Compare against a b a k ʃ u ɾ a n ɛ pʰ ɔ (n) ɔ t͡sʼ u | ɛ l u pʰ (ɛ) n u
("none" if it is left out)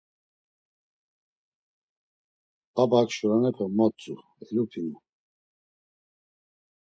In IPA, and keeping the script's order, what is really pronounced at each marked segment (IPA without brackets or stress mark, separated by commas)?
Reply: m, i